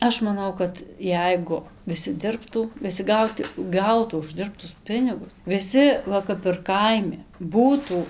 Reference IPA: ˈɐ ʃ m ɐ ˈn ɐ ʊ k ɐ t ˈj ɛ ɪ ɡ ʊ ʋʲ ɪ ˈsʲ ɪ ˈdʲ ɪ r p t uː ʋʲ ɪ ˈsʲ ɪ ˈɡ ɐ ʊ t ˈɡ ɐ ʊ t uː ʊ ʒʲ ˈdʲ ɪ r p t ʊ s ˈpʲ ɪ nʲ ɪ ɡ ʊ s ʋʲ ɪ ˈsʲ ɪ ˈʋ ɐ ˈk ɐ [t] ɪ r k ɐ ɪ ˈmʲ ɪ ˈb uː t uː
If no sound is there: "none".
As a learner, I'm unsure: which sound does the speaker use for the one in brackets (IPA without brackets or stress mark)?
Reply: p